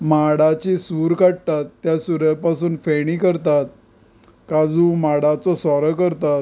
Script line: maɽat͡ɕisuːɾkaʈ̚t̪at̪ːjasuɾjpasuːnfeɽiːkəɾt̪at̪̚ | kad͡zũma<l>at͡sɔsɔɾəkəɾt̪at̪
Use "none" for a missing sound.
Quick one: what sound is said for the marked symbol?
ɽ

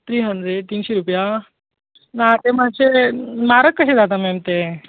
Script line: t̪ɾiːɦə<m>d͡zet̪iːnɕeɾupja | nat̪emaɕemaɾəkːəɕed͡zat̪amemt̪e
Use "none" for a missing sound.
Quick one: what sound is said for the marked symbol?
n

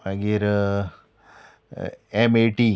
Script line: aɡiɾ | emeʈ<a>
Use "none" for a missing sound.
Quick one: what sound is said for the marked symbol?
i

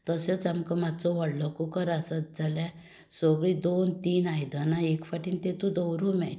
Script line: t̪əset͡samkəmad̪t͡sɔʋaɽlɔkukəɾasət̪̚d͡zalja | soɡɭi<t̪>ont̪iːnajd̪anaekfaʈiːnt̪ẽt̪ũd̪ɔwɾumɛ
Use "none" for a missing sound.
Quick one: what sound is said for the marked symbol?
d̪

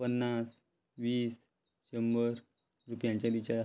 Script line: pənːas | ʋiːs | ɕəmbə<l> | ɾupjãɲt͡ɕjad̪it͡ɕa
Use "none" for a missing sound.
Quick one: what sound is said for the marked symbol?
ɾ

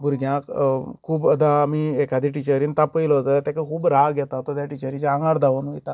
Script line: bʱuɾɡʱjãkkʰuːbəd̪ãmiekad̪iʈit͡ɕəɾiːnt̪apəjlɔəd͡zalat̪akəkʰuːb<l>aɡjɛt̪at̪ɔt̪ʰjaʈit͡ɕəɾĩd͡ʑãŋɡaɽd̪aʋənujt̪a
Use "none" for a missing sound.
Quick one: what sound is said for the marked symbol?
ɾ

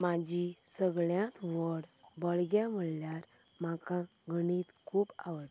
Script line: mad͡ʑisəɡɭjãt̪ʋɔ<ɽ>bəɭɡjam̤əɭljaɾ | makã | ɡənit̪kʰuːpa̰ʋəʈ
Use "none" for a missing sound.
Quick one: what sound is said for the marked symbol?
ɽ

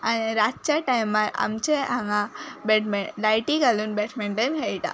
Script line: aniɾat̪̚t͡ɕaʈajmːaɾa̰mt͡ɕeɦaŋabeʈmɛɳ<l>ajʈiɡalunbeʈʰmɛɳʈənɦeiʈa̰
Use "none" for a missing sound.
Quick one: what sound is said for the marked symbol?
l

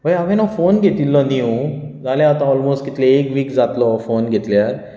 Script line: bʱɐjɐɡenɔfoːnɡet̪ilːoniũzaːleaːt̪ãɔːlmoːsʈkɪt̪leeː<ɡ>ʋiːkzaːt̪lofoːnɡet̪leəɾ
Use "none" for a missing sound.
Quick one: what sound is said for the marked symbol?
k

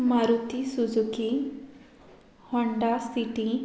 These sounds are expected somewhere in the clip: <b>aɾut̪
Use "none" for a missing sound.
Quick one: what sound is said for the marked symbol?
m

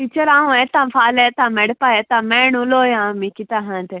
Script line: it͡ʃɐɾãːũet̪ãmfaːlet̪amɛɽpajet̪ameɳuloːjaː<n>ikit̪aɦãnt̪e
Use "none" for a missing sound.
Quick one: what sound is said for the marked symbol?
m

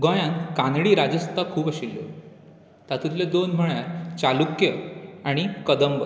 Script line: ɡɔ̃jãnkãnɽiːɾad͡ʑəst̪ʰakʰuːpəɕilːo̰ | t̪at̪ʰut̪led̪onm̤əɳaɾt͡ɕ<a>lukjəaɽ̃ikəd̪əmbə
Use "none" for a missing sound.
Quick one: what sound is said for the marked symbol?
a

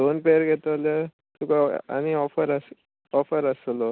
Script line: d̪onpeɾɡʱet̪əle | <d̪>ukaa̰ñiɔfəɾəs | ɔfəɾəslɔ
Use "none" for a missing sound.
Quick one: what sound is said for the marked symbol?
t̪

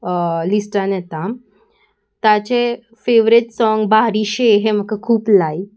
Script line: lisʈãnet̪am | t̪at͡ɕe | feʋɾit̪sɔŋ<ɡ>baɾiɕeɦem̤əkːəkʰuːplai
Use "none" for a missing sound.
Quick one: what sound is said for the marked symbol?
ɡ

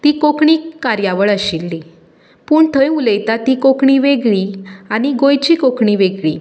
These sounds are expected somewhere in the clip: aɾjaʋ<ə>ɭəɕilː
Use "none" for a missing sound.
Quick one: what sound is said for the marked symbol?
ə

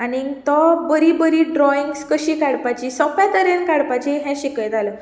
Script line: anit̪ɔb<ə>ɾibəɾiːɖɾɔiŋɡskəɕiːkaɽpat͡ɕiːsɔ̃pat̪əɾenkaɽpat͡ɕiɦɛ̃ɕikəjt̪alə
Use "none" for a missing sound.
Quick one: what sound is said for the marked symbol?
ə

